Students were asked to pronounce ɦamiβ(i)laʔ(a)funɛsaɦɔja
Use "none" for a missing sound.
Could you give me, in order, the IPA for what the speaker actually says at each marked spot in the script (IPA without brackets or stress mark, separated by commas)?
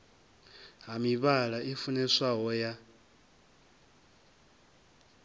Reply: a, i